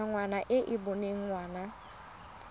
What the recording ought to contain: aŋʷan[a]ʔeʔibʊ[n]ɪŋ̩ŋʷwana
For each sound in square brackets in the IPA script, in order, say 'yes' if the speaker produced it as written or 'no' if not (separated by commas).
yes, yes